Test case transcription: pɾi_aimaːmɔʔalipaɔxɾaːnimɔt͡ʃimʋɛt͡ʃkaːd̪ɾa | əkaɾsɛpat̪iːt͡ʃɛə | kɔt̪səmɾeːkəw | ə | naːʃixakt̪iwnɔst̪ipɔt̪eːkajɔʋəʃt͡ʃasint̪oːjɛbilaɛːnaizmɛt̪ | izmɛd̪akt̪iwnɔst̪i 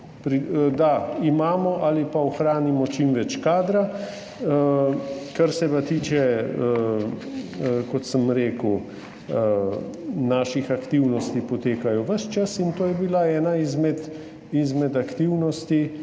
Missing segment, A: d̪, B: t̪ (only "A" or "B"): A